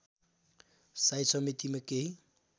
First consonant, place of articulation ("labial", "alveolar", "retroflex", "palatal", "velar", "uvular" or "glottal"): alveolar